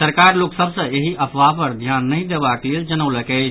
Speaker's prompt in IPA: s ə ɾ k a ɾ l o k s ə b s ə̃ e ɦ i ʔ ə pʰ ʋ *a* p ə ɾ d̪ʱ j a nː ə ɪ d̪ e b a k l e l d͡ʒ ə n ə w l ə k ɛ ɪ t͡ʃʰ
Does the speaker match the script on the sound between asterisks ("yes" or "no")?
yes